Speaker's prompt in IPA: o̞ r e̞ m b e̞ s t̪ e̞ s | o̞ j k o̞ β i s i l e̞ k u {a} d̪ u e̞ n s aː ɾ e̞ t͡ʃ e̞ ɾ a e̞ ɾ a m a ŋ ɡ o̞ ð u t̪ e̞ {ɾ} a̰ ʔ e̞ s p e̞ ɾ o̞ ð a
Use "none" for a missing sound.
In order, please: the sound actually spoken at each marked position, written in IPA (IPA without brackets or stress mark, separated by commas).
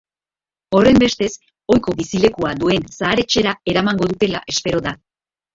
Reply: a, l